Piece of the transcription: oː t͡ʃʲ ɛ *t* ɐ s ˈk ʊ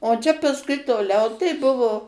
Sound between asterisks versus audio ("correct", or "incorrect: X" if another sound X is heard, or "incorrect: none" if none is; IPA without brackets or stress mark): incorrect: p